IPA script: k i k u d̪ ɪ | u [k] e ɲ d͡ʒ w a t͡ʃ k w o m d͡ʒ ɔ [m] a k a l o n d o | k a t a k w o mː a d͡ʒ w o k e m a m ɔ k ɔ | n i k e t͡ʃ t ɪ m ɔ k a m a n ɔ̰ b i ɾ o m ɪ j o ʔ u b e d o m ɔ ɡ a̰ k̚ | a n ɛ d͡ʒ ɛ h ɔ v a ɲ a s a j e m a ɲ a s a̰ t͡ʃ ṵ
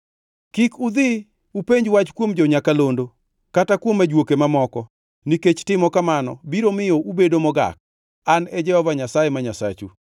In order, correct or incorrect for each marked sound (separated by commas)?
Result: incorrect, incorrect